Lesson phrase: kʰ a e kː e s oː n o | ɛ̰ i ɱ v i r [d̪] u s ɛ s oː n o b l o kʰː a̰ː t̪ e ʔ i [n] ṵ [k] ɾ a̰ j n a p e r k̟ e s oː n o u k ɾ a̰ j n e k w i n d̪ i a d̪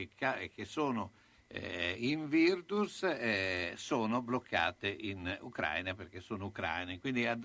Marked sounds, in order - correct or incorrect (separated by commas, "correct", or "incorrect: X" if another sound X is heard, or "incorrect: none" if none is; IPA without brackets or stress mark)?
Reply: correct, correct, correct